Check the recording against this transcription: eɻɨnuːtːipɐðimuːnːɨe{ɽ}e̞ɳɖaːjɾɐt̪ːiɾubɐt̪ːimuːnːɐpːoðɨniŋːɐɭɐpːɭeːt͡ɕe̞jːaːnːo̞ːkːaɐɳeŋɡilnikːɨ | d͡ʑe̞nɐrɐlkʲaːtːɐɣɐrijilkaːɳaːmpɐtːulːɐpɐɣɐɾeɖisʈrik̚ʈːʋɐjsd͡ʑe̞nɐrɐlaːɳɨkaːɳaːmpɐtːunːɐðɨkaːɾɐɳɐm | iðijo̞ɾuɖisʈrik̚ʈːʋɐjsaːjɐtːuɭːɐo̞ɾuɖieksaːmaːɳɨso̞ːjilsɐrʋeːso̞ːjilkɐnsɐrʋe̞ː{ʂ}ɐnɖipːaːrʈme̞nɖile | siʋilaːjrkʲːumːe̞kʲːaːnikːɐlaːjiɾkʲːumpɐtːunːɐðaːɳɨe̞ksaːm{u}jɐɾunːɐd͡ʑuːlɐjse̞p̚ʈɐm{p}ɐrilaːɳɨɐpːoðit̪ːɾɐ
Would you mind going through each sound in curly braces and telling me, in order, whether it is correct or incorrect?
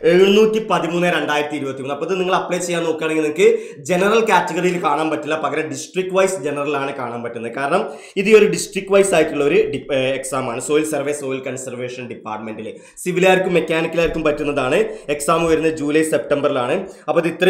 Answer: incorrect, correct, correct, incorrect

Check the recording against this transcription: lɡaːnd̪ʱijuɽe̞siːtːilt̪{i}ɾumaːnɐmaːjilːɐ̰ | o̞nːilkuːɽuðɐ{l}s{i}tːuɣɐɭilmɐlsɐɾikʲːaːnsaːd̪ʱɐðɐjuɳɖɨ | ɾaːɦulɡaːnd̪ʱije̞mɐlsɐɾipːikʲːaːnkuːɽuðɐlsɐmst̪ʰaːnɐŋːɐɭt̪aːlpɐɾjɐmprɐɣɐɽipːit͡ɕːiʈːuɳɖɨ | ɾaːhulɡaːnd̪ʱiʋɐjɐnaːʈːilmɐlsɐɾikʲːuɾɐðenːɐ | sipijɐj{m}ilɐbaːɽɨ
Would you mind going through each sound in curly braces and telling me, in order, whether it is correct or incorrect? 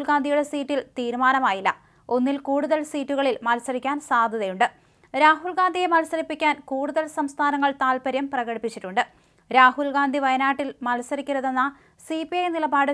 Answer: incorrect, correct, incorrect, incorrect

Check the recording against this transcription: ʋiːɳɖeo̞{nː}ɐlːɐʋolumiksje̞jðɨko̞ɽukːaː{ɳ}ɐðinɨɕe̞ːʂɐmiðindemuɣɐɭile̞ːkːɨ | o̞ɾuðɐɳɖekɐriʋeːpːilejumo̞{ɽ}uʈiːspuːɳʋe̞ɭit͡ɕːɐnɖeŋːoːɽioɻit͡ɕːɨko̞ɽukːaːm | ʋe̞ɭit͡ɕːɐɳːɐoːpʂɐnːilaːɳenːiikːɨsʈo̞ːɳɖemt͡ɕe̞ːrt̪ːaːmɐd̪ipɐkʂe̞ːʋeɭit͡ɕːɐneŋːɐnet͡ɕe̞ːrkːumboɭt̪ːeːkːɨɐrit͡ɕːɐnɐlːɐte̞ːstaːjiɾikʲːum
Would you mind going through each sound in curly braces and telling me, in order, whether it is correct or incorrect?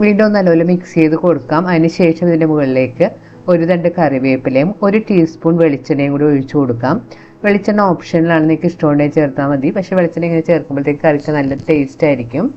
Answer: correct, incorrect, incorrect

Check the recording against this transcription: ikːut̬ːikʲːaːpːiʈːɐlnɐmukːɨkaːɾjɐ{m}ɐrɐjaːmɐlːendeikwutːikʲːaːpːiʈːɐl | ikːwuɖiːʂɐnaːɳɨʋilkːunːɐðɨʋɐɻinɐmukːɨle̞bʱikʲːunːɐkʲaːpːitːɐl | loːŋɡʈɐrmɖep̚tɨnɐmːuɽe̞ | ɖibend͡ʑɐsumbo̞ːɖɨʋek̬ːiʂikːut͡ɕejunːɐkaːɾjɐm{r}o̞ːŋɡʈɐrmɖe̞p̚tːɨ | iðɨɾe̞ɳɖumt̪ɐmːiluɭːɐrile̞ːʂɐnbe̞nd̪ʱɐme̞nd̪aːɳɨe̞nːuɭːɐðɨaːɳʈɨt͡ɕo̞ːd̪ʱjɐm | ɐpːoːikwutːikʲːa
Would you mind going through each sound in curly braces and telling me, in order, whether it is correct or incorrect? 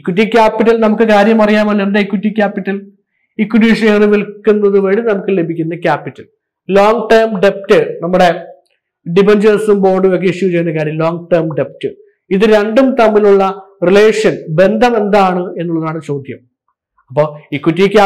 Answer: correct, incorrect

